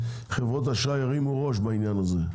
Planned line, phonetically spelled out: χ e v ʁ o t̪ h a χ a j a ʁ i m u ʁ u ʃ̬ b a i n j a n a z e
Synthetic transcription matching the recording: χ e v ʁ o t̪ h a ʃ a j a ʁ i m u ʁ o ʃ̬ b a i n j a n a z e